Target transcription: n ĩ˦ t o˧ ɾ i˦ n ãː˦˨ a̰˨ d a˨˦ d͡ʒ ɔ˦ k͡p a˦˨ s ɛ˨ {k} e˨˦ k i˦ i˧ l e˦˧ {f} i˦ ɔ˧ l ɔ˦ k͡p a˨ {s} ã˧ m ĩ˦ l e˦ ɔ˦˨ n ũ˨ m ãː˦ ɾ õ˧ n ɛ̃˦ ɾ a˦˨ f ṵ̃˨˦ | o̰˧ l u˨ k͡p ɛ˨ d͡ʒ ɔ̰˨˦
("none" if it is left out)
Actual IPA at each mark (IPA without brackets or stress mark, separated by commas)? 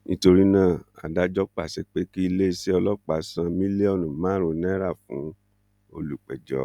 k͡p, s, s